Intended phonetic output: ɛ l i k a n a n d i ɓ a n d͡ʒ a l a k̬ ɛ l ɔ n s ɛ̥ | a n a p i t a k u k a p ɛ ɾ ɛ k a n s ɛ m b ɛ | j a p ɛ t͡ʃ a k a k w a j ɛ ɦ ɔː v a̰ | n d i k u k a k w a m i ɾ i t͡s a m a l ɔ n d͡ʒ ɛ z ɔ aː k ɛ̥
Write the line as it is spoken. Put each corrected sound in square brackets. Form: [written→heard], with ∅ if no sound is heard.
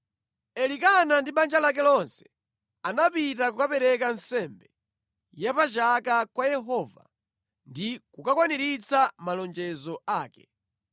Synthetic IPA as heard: ɛ l i k a n a n d i ɓ a n d͡ʒ a l a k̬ ɛ l ɔ n s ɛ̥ | a n a p i t a k u k a p ɛ ɾ ɛ k a n s ɛ m b ɛ | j a p [ɛ→a] t͡ʃ a k a k w a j ɛ ɦ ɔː v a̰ | n d i k u k a k w a [m→n] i ɾ i t͡s a m a l ɔ n d͡ʒ ɛ z ɔ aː k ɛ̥